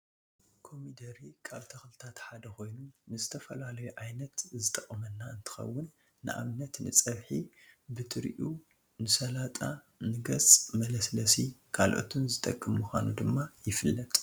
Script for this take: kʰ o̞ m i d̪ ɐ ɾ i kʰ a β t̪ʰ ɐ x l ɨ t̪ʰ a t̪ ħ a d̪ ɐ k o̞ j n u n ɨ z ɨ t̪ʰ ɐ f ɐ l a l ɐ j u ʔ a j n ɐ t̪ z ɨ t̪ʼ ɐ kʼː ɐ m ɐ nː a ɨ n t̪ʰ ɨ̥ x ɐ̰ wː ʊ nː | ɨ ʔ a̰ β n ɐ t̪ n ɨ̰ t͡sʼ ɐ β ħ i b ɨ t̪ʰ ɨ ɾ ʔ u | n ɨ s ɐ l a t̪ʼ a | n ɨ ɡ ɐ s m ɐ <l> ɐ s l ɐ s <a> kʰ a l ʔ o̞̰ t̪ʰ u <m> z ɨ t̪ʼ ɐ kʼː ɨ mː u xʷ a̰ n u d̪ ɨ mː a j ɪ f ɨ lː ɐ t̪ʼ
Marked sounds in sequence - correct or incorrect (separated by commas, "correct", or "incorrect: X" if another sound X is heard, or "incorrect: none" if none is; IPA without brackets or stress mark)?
correct, incorrect: i, incorrect: n